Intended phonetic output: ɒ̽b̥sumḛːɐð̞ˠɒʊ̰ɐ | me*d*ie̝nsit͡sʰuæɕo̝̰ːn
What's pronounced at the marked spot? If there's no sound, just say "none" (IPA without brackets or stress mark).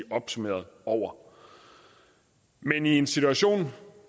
n